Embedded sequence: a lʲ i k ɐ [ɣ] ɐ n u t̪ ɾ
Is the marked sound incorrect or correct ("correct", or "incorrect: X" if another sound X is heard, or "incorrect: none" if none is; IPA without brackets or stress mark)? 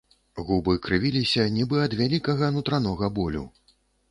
correct